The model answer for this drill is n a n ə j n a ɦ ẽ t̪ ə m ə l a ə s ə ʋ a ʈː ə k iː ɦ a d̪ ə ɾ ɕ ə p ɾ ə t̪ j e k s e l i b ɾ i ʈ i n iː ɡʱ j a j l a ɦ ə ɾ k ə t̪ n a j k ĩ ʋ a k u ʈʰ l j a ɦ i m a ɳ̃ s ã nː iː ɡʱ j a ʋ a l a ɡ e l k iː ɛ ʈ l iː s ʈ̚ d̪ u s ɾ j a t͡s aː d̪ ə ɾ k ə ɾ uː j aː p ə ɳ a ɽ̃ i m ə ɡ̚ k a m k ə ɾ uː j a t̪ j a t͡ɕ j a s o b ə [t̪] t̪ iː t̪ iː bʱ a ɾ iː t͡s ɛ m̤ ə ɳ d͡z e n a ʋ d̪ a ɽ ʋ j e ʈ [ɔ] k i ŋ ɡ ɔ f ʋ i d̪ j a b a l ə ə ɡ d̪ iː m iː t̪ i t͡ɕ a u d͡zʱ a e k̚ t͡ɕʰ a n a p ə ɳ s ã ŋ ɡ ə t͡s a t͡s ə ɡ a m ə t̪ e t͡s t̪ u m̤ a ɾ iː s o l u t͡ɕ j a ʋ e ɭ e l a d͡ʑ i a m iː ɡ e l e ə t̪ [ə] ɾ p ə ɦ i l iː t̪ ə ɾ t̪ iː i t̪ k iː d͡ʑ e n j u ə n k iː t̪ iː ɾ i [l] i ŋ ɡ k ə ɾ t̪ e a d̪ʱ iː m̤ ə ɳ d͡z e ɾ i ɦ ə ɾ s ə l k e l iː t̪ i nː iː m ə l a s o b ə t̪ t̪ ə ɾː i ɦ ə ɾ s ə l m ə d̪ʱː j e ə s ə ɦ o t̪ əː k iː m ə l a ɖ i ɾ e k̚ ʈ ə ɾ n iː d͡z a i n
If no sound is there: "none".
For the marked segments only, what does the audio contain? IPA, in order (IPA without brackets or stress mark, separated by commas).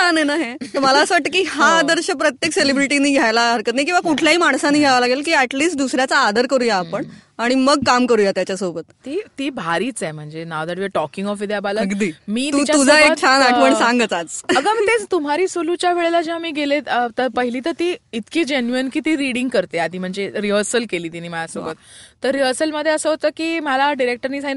t̪, ɔ, ə, ɽ